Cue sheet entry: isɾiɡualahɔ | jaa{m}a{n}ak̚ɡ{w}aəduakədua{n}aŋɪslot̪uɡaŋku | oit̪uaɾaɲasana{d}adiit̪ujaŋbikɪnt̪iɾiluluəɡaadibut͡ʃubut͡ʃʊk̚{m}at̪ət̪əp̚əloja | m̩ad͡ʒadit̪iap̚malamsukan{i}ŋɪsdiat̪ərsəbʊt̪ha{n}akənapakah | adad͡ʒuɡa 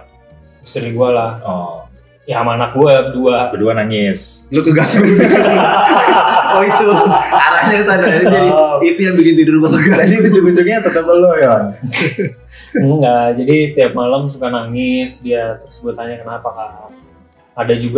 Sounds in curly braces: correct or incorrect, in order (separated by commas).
correct, correct, incorrect, correct, incorrect, incorrect, incorrect, incorrect